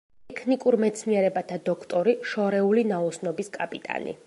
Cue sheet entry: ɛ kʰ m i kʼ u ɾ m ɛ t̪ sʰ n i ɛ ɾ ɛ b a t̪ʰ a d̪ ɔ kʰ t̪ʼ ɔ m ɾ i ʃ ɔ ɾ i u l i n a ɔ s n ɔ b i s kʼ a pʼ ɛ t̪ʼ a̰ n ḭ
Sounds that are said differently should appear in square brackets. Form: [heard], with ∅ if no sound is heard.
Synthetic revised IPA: ɛ kʰ [n] i kʼ u ɾ m ɛ t̪ sʰ n i ɛ ɾ ɛ b a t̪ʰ a d̪ ɔ kʰ t̪ʼ ɔ [∅] ɾ i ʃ ɔ ɾ [ɛ] u l i n a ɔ s n ɔ b i s kʼ a pʼ [i] t̪ʼ a̰ n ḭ